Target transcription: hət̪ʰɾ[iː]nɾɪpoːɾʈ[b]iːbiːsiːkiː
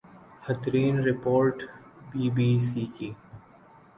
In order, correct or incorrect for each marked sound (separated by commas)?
correct, correct